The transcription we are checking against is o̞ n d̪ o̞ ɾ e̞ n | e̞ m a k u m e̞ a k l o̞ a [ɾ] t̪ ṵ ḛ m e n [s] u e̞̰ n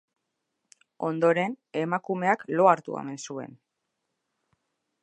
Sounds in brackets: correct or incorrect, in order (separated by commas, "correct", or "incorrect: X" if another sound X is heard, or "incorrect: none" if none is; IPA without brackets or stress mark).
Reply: correct, correct